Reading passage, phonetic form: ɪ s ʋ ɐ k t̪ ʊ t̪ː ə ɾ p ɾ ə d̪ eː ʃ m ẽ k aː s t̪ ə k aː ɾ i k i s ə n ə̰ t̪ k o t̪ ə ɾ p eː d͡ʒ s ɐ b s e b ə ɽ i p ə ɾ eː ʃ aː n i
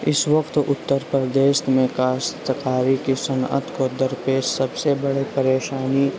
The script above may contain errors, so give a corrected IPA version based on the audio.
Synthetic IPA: ɪ s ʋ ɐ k t̪ ʊ t̪ː ə ɾ p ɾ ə d̪ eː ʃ m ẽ k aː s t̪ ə k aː ɾ i k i s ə n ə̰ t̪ k o d̪ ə ɾ p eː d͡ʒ s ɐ b s e b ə ɽ i p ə ɾ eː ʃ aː n i